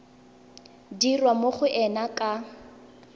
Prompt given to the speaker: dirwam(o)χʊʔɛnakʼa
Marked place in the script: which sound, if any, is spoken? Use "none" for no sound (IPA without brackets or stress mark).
o